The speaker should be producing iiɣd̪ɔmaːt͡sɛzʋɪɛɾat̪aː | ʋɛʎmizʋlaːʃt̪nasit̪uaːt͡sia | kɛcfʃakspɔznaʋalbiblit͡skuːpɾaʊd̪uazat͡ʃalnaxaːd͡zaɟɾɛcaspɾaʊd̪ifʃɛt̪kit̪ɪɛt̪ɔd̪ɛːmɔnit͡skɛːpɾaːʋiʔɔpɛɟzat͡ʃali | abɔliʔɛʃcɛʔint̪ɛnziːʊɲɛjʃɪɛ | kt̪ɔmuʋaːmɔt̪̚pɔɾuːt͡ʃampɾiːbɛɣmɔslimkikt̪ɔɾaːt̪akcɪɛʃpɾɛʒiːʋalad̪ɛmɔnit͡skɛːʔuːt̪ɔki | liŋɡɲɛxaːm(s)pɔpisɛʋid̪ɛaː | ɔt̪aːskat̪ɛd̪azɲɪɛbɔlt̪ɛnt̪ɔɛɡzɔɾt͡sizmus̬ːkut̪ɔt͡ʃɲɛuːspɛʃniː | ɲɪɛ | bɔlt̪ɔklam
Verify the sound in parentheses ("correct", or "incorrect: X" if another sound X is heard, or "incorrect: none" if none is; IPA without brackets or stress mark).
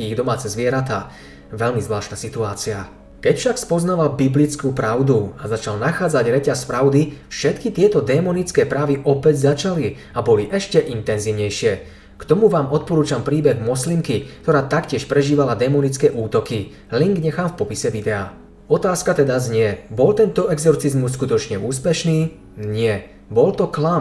incorrect: f